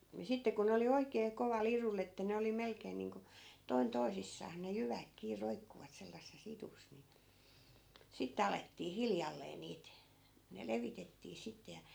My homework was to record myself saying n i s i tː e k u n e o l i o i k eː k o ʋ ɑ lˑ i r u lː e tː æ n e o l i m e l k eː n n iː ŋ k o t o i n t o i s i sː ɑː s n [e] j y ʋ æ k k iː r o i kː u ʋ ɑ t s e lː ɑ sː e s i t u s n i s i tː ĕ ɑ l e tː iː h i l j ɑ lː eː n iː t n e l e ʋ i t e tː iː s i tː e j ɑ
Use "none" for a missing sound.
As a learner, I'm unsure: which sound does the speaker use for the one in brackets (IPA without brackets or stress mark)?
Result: e